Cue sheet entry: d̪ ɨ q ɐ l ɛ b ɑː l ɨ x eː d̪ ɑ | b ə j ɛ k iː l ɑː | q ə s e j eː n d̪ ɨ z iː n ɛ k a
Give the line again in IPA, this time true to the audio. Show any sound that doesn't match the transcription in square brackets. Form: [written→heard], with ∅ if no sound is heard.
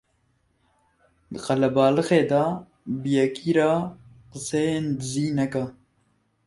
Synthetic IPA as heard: d̪ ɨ q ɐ l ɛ b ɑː l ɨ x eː d̪ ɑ | b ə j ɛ k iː [l→ɾ] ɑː | q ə s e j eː n d̪ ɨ z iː n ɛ k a